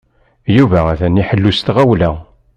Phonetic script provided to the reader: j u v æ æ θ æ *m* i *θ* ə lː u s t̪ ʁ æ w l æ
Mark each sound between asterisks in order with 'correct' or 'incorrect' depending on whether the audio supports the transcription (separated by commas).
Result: incorrect, incorrect